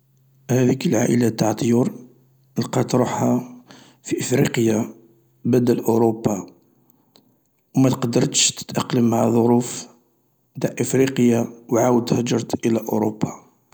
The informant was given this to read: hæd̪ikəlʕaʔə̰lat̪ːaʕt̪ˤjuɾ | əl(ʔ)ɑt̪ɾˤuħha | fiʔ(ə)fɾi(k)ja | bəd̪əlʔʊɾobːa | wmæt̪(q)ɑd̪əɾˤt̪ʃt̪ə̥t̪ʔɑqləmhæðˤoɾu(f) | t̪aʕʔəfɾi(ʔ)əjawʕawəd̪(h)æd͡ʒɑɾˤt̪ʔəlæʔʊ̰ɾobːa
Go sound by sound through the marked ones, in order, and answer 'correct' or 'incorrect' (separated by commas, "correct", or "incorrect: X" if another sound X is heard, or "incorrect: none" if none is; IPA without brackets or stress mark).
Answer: incorrect: q, correct, incorrect: q, correct, correct, incorrect: q, correct